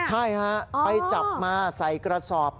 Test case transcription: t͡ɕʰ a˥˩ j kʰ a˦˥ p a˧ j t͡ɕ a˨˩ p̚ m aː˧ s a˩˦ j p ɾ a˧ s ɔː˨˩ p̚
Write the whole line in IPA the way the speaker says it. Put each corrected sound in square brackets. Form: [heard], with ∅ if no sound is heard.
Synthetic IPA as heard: t͡ɕʰ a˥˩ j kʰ a˦˥ p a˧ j t͡ɕ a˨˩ p̚ m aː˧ s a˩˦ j [k] ɾ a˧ s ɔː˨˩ p̚